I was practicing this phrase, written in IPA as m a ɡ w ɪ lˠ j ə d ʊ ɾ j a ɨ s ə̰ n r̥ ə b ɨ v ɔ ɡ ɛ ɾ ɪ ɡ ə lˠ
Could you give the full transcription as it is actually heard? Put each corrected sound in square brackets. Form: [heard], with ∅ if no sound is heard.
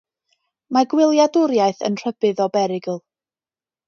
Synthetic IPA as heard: m a ɡ w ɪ lˠ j [a] d ʊ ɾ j a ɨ [θ] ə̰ n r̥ ə b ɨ [ð] ɔ [b] ɛ ɾ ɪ ɡ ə lˠ

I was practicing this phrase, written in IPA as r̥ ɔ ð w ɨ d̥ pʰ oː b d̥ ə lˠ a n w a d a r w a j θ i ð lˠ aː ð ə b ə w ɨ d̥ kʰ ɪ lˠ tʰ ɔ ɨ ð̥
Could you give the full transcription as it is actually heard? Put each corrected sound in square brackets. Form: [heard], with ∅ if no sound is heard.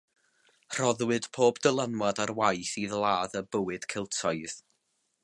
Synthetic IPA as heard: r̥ ɔ ð w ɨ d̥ pʰ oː b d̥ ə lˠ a n w a d a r w a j θ i ð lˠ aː ð ə b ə w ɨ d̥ kʰ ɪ lˠ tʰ ɔ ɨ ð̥

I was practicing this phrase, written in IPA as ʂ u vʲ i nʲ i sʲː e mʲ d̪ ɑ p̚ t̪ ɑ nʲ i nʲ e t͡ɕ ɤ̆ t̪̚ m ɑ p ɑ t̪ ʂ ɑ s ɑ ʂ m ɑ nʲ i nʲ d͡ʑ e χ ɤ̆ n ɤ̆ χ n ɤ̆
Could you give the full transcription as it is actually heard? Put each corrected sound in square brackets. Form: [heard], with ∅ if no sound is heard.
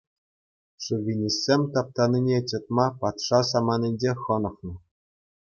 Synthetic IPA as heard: ʂ u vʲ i nʲ i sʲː e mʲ [t̪] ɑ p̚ t̪ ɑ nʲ i nʲ e t͡ɕ ɤ̆ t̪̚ m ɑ p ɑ t̪ ʂ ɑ s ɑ [∅] m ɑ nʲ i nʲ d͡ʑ e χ ɤ̆ n ɤ̆ χ n ɤ̆

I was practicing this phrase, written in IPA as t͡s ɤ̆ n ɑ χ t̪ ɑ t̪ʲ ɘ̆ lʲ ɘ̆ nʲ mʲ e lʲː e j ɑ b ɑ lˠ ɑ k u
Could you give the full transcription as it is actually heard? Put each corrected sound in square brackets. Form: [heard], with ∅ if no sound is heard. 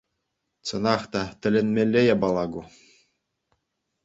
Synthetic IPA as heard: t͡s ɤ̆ n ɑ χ t̪ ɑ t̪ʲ ɘ̆ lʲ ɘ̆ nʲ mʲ e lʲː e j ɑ b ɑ lˠ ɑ [ɡ] u

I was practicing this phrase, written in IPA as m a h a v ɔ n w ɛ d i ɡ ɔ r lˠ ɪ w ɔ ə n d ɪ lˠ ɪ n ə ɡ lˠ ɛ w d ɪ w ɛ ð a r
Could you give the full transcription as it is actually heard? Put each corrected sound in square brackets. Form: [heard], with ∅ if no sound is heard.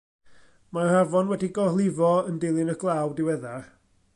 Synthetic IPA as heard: m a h a v ɔ n w ɛ d i ɡ ɔ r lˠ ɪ [v] ɔ ə n d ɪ lˠ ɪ n ə ɡ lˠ [a] w d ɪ w ɛ ð a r

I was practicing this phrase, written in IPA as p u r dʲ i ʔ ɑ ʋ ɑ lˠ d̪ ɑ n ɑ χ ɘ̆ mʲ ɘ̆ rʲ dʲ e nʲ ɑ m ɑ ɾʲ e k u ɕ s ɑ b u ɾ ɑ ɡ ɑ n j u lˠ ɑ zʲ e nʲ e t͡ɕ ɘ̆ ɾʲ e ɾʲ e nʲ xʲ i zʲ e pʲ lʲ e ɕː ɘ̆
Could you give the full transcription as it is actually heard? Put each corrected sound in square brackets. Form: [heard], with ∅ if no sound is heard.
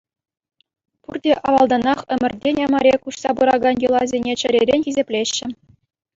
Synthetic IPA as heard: p u r dʲ [e] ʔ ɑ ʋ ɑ lˠ d̪ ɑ n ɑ χ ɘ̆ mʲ ɘ̆ rʲ dʲ e nʲ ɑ m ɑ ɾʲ e k u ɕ s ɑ b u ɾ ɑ ɡ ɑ n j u lˠ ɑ zʲ e nʲ e t͡ɕ ɘ̆ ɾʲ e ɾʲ e nʲ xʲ i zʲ e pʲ lʲ e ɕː ɘ̆

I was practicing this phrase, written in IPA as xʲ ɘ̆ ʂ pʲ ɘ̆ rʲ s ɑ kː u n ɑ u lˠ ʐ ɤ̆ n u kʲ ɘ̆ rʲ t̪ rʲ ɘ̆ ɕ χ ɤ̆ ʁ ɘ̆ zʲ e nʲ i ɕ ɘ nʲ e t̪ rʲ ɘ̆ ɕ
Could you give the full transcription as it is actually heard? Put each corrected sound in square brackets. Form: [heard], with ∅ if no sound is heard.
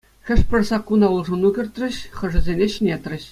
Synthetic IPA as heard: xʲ ɘ̆ ʂ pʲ ɘ̆ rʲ s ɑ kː u n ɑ u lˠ ʐ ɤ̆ n u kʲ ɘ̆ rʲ t̪ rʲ ɘ̆ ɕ χ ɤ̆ [ʐ] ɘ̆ zʲ e nʲ [e] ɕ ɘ nʲ e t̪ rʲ ɘ̆ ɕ

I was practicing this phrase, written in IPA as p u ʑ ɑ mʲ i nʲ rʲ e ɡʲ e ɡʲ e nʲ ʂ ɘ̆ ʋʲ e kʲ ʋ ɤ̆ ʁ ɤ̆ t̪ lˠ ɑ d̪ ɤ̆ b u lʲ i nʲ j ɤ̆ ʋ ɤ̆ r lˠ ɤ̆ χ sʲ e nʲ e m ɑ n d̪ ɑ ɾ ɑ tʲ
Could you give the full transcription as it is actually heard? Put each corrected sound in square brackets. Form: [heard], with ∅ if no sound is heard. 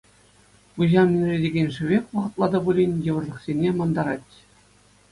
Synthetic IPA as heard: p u ʑ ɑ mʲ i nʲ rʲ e [dʲ] e ɡʲ e nʲ ʂ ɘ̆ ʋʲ e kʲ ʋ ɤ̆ ʁ ɤ̆ t̪ lˠ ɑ d̪ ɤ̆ b u lʲ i nʲ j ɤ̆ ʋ ɤ̆ r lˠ ɤ̆ χ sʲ e nʲ e m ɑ n d̪ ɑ ɾ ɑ tʲ

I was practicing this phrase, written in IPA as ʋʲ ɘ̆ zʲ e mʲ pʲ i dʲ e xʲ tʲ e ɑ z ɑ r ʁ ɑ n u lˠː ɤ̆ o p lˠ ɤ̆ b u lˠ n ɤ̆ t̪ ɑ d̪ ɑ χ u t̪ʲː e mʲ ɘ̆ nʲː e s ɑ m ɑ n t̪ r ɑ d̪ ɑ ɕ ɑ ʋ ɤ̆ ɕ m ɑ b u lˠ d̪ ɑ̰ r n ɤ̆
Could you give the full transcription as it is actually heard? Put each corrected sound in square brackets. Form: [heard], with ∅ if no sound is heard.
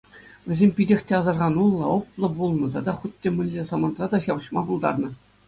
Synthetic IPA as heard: ʋʲ ɘ̆ zʲ e mʲ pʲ i dʲ e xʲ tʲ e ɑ z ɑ r ʁ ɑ n u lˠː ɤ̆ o p lˠ ɤ̆ b u lˠ n ɤ̆ t̪ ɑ d̪ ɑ χ u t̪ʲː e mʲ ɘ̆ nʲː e s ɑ m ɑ n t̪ r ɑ d̪ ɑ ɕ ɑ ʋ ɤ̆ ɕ m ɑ b u lˠ d̪ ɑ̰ r n ɤ̆

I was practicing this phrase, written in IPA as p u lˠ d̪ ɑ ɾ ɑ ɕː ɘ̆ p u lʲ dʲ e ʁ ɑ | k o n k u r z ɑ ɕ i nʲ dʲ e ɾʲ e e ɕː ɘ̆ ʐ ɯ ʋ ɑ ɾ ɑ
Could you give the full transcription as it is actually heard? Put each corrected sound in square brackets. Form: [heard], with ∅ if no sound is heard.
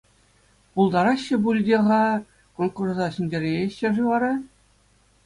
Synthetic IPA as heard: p u lˠ d̪ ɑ ɾ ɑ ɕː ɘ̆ [b] u lʲ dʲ e ʁ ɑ | k o n k u r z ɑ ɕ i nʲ dʲ e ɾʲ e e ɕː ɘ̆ ʐ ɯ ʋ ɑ ɾ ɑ

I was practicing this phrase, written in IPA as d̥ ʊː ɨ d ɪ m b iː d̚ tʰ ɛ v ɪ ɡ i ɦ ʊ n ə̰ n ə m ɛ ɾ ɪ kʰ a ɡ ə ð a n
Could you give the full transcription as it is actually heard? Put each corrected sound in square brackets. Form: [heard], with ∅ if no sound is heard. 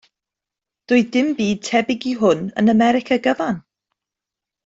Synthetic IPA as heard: d̥ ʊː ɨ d ɪ m b iː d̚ tʰ ɛ [b] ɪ ɡ i ɦ ʊ n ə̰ n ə m ɛ ɾ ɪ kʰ a ɡ ə [v] a n

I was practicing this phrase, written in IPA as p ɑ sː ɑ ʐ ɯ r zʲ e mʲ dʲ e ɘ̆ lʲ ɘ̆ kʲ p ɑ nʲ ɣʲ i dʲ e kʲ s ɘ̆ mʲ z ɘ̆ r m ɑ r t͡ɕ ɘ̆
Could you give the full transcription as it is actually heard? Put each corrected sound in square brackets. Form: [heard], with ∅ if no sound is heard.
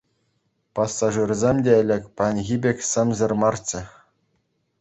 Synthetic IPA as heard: p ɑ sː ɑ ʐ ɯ r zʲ e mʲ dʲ e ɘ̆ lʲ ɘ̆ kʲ p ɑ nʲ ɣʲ i [bʲ] e kʲ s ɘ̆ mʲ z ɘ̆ r m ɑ r t͡ɕ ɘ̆

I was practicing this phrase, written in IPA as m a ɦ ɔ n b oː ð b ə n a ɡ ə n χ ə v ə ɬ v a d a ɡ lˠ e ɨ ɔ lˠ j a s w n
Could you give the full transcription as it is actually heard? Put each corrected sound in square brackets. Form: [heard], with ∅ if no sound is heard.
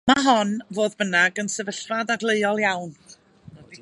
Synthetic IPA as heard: m a ɦ ɔ n [v] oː ð b ə n a ɡ ə n [s] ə v ə ɬ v a d a ɡ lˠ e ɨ ɔ lˠ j a [∅] w n

